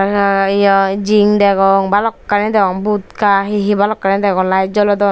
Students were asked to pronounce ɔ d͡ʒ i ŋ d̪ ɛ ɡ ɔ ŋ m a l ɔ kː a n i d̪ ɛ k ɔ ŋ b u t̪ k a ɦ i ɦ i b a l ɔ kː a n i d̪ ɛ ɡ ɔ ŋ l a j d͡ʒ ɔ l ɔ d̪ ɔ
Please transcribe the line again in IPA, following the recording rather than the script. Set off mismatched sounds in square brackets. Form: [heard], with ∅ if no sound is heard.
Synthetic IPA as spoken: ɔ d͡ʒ i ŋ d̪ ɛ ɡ ɔ ŋ [b] a l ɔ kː a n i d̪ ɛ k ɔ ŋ b u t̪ k a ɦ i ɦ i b a l ɔ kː a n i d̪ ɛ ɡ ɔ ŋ l a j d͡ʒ ɔ l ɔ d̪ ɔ